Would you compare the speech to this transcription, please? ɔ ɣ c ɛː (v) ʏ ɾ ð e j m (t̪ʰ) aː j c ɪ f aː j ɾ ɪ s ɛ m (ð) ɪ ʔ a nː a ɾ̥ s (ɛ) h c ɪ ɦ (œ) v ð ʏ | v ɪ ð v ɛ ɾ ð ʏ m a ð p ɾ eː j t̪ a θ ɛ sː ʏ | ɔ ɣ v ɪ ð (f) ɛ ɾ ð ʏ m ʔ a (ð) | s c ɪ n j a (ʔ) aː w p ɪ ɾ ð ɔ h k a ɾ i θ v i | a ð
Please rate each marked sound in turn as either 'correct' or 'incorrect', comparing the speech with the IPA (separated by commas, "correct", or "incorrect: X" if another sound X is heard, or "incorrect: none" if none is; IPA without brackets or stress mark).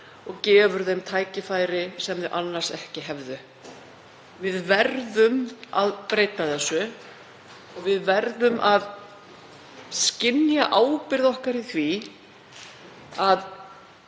correct, correct, correct, correct, incorrect: ɛ, incorrect: v, correct, correct